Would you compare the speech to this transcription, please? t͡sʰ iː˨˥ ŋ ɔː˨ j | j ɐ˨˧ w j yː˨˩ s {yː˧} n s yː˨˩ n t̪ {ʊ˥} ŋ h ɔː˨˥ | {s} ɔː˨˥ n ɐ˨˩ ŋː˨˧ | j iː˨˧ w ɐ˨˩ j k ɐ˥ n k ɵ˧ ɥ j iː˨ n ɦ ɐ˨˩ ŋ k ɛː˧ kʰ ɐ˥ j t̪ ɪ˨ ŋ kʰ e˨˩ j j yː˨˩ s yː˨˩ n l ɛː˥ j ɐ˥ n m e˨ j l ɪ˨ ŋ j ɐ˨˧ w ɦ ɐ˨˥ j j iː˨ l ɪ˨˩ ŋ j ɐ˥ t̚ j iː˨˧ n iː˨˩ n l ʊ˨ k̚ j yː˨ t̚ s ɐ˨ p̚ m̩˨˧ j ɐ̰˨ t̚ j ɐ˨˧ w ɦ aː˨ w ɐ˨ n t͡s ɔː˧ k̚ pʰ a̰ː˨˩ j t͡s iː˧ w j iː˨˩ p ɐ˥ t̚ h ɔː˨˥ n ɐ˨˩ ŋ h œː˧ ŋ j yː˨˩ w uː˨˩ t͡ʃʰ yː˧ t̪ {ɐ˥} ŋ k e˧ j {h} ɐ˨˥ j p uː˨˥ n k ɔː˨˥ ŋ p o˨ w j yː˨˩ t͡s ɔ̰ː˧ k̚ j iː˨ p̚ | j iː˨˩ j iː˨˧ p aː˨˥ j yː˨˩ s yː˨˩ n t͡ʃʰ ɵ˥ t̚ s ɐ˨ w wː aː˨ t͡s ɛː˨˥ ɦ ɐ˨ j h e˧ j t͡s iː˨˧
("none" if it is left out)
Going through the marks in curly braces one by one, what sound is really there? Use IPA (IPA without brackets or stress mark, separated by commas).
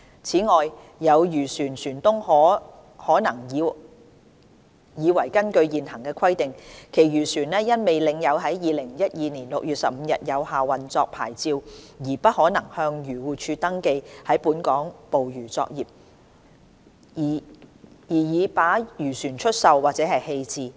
yː˨˩, ʊ˥, h, ɐ˥, h